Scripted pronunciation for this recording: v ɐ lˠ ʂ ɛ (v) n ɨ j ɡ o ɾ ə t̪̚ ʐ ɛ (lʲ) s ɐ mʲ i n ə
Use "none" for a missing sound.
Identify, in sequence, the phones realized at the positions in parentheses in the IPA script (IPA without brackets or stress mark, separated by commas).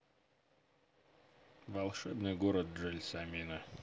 b, lʲ